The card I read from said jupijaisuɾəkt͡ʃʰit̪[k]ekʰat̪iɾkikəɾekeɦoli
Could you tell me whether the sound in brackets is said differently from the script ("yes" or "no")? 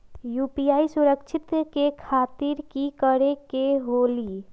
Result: no